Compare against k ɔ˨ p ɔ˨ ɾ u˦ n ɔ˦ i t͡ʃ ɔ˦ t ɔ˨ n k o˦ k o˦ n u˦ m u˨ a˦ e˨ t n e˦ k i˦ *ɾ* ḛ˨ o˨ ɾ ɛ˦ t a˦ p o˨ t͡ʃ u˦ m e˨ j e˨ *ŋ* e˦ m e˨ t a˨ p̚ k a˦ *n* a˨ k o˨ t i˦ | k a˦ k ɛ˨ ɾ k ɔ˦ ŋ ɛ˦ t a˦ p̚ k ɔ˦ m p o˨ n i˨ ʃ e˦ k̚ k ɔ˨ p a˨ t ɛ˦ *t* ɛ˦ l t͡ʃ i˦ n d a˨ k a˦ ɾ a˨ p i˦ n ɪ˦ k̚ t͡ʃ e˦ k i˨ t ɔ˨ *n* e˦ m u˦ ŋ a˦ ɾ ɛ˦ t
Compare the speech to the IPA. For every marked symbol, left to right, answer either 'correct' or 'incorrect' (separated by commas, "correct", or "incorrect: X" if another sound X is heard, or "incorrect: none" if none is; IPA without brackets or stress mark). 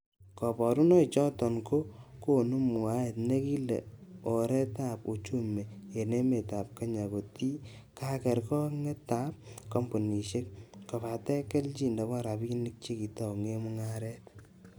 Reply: incorrect: l, incorrect: n, incorrect: ɲ, incorrect: k, incorrect: ŋ